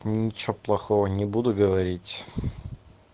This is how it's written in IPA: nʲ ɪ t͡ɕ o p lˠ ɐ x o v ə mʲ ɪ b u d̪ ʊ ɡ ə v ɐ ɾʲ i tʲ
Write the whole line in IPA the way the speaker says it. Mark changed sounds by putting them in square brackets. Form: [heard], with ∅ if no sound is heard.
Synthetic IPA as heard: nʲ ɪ t͡ɕ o p lˠ ɐ x o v ə [nʲ] ɪ b u d̪ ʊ ɡ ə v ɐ ɾʲ i tʲ